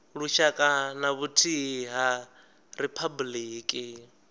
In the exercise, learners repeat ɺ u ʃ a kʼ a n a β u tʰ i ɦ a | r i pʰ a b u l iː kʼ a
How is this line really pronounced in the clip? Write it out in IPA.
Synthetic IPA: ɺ u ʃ a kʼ a n a β u tʰ i ɦ a | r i pʰ a b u l iː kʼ i